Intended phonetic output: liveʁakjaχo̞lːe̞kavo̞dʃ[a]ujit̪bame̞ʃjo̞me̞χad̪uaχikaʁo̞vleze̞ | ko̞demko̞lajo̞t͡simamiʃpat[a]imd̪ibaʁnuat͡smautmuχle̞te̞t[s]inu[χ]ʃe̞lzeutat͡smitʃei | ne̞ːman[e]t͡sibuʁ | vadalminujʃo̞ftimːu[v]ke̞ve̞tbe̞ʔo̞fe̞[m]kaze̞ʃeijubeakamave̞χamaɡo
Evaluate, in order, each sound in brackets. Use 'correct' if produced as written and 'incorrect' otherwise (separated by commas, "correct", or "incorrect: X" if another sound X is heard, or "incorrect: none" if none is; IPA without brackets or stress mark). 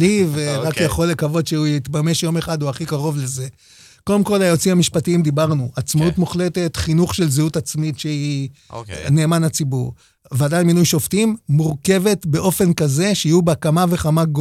incorrect: e, incorrect: i, incorrect: χ, correct, incorrect: a, incorrect: ʁ, incorrect: n